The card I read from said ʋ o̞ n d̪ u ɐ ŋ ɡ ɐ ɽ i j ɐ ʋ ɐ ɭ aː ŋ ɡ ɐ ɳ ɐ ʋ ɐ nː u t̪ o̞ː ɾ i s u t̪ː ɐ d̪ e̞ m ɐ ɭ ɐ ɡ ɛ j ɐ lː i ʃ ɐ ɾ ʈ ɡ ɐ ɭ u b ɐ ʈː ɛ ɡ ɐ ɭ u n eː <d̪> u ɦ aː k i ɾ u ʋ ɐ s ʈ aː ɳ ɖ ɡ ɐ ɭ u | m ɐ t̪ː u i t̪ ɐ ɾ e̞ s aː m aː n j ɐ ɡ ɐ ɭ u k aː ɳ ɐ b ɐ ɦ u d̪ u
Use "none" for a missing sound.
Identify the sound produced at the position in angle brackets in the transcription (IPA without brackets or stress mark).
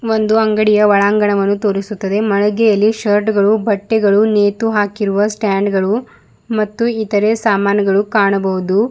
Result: t̪